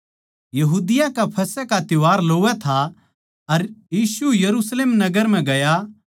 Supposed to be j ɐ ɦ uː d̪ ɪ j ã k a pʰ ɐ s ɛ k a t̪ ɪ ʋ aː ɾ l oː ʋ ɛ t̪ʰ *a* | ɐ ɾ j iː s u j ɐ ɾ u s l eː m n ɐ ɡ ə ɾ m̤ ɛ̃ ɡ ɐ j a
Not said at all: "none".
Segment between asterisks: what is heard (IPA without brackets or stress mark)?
a